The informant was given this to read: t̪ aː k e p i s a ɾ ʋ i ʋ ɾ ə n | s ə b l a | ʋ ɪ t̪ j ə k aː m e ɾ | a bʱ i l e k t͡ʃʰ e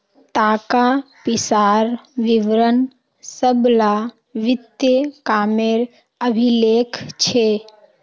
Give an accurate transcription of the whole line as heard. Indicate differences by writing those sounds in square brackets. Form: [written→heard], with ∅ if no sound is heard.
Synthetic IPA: t̪ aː k [e→a] p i s a ɾ ʋ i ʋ ɾ ə n | s ə b l a | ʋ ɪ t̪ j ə k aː m e ɾ | [a→ə] bʱ i l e k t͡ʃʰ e